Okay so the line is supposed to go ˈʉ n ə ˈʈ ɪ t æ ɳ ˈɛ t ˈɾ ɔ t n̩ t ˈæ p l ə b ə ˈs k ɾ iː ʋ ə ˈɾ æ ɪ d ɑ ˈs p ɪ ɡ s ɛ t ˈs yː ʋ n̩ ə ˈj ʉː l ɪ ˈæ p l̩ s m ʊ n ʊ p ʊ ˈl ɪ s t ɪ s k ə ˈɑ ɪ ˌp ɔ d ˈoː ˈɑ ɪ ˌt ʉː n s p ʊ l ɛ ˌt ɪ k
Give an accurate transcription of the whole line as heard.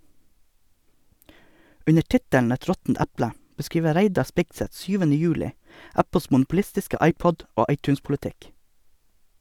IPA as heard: ˈʉ n ə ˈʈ ɪ t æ ɳ ˈɛ t ˈɾ ɔ t n̩ t ˈæ p l ə b ə ˈs k ɾ iː ʋ ə ˈɾ æ ɪ d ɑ ˈs p ɪ ɡ s ɛ t ˈs yː ʋ n̩ ə ˈj ʉː l ɪ ˈæ p l̩ s m ʊ n ʊ p ʊ ˈl ɪ s t ɪ s k ə ˈɑ ɪ ˌp ɔ d ˈoː ˈɑ ɪ ˌt ʉː n s p ʊ l ɛ ˌt ɪ k